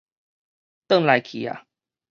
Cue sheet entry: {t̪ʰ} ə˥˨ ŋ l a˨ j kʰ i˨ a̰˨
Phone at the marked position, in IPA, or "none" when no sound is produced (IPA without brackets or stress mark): t̪